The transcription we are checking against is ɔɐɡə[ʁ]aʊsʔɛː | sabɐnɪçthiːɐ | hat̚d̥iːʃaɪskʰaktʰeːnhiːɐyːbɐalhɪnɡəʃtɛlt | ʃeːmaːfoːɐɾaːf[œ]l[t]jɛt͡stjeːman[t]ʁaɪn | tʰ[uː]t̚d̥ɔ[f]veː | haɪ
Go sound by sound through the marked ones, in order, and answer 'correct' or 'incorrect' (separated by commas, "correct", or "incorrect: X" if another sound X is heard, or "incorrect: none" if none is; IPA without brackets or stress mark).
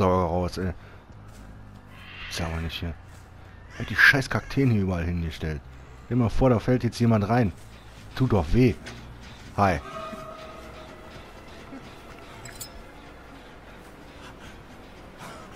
correct, incorrect: ɛ, correct, correct, correct, incorrect: χ